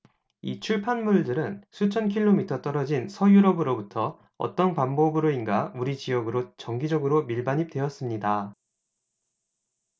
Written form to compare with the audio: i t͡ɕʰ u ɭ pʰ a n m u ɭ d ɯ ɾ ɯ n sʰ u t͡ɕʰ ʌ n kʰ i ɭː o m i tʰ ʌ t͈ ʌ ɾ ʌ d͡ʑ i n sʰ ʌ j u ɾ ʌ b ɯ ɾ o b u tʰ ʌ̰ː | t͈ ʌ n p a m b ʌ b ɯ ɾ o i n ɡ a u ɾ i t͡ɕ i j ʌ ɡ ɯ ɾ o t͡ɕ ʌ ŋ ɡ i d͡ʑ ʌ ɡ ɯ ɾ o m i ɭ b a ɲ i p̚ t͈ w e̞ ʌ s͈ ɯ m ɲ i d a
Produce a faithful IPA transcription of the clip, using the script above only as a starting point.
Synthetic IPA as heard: i t͡ɕʰ u ɭ pʰ a n m u ɭ d ɯ ɾ ɯ n sʰ u t͡ɕʰ ʌ n kʰ i ɭː o m i tʰ ʌ t͈ ʌ ɾ ʌ d͡ʑ i n sʰ ʌ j u ɾ ʌ b ɯ ɾ o b u tʰ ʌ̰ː | t͈ ʌ n p a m b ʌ b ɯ ɾ o i n ɡ a u ɾ i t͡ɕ i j ʌ ɡ ɯ ɾ o t͡ɕ ʌ ŋ ɡ i d͡ʑ ʌ ɡ ɯ ɾ o m i ɭ b a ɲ i p̚ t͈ w e̞ ʌ s͈ ɯ m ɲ i d a

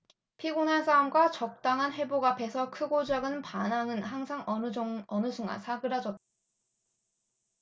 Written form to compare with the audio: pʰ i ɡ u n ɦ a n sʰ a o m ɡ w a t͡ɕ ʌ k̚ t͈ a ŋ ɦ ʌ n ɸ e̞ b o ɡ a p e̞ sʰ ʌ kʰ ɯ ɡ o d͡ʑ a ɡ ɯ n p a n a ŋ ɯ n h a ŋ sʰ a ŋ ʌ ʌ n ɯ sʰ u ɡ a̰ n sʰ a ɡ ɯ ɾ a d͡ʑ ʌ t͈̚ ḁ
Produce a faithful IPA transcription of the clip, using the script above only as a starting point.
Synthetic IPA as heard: pʰ i ɡ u n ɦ a n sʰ a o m ɡ w a t͡ɕ ʌ k̚ t͈ a ŋ ɦ a n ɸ e̞ b o ɡ a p e̞ sʰ ʌ kʰ ɯ ɡ o d͡ʑ a ɡ ɯ n p a n a ŋ ɯ n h a ŋ sʰ a ŋ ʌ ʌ n ɯ sʰ u ŋ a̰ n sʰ a ɡ ɯ ɾ a d͡ʑ ʌ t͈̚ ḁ

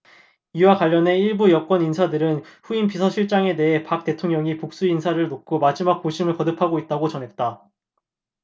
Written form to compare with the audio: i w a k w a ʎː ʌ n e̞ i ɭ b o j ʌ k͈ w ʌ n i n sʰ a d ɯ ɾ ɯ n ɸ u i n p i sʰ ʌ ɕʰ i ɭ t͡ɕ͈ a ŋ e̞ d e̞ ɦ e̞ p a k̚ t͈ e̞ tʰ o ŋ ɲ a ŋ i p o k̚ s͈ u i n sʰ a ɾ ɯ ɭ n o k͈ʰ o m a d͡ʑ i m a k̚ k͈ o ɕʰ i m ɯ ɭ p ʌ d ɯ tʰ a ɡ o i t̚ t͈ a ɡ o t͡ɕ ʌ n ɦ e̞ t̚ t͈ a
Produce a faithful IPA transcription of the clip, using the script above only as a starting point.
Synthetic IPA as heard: i w a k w a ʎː ʌ n e̞ i ɭ b u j ʌ k͈ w ʌ n i n sʰ a d ɯ ɾ ɯ n ɸ u i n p i sʰ ʌ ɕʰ i ɭ t͡ɕ͈ a ŋ e̞ d e̞ ɦ e̞ p a k̚ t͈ e̞ tʰ o ŋ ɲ ʌ ŋ i p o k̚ s͈ u i n sʰ a ɾ ɯ ɭ n o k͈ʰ o m a d͡ʑ i m a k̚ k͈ o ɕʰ i m ɯ ɭ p ʌ d ɯ pʰ a ɡ o i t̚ t͈ a ɡ o t͡ɕ ʌ n ɦ e̞ t̚ t͈ a

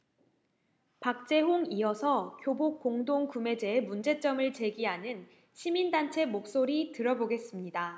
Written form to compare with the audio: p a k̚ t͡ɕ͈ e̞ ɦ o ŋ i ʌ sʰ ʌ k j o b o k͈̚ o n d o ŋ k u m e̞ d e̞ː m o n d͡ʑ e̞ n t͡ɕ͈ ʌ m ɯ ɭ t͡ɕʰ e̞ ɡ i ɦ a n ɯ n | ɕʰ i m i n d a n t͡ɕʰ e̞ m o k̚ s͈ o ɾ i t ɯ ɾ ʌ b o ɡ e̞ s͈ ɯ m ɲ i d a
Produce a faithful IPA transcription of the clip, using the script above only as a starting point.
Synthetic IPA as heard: p a k̚ t͡ɕ͈ e̞ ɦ o ŋ i ʌ sʰ ʌ k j o b o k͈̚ o ŋ d o ŋ k u m e̞ d͡ʑ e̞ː m u n d͡ʑ e̞ t͡ɕ͈ ʌ m ɯ ɭ t͡ɕ e̞ ɡ i ɦ a n ɯ n | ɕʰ i m i n d a n t͡ɕʰ e̞ m o k̚ s͈ o ɾ i t ɯ ɾ ʌ b o ɡ e̞ s͈ ɯ m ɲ i d a

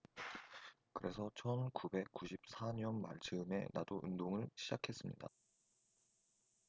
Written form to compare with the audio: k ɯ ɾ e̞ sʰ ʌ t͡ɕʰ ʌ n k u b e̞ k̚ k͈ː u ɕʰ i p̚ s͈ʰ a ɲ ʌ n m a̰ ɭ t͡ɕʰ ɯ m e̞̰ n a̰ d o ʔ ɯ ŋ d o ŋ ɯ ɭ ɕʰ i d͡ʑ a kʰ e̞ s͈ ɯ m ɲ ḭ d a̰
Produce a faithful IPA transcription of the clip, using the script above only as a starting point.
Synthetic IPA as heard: k ɯ ɾ e̞ sʰ ʌ t͡ɕʰ ʌ n k u b e̞ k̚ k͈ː u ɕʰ i p̚ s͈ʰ a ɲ ʌ n m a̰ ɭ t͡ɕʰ ɯ m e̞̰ n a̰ d o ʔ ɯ n d o ŋ ɯ ɭ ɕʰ i d͡ʑ a kʰ e̞ s͈ ɯ m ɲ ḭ d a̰

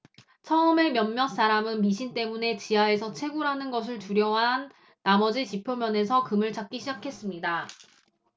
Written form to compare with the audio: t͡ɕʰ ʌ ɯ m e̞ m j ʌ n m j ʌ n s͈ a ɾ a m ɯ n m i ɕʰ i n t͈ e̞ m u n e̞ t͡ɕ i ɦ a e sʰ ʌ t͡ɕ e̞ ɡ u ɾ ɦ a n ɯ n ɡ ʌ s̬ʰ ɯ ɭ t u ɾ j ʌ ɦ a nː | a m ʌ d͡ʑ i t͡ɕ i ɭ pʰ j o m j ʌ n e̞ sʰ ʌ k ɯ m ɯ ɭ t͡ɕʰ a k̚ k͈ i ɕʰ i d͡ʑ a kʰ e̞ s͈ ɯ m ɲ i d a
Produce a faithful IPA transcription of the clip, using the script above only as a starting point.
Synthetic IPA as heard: t͡ɕʰ ʌ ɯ m e̞ m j ʌ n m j ʌ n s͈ a ɾ a m ɯ n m i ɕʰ i n t͈ e̞ m u n e̞ t͡ɕ i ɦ a e sʰ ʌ t͡ɕʰ e̞ ɡ u ɾ ɦ a n ɯ n ɡ ʌ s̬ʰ ɯ ɭ t u ɾ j ʌ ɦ a nː | a m ʌ d͡ʑ i t͡ɕ i pʰ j o m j ʌ n e̞ sʰ ʌ k ɯ m ɯ ɭ t͡ɕ a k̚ k͈ i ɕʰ i d͡ʑ a kʰ e̞ s͈ ɯ m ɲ i d a

